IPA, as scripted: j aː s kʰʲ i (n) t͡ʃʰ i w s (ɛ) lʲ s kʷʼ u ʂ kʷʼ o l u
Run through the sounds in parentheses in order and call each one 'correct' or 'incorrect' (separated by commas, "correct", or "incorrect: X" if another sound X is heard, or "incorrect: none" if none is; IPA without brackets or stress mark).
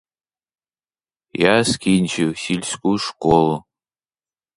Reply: correct, incorrect: i